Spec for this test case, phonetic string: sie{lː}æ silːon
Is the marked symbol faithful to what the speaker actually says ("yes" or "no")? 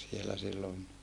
no